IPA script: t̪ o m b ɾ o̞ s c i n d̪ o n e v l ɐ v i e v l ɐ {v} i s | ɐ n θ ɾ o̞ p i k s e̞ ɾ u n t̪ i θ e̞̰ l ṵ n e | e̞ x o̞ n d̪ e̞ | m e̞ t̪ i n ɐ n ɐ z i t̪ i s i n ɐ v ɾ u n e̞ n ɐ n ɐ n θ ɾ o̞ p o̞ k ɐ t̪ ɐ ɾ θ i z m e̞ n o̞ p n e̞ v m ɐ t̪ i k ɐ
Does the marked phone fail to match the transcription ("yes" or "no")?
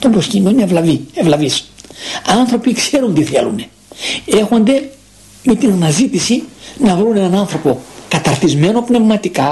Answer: no